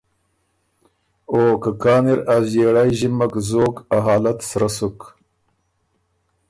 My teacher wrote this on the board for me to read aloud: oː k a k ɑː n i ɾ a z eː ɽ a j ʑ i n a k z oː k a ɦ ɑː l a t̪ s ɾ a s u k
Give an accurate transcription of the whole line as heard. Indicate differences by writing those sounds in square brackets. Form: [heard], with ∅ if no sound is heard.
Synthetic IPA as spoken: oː k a k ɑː n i ɾ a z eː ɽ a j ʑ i [m] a k z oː k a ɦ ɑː l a t̪ s ɾ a s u k